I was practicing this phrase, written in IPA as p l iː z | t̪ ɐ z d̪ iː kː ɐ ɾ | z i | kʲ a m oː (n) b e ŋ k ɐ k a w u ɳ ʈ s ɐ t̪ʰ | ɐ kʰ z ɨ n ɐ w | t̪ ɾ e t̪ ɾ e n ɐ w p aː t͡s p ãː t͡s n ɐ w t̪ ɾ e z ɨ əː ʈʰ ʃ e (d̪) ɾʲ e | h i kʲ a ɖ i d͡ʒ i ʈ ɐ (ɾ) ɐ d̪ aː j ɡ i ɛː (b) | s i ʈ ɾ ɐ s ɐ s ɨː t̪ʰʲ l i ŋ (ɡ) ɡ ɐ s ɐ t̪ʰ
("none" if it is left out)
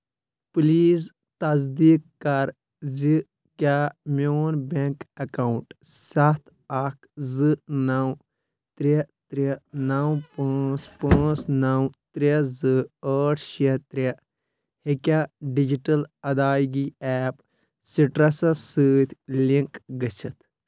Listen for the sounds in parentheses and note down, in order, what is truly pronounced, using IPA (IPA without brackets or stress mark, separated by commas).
n, t̪, l, p, k